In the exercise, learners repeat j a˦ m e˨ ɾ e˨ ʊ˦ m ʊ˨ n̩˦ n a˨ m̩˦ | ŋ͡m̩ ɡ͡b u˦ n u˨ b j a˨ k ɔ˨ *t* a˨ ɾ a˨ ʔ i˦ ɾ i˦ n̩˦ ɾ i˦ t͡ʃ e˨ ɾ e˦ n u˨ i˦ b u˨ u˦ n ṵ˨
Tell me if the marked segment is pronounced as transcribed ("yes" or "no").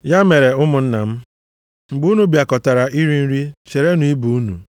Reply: yes